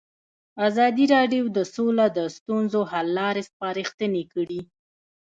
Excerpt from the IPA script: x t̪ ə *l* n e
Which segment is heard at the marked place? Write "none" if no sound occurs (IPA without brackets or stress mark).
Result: none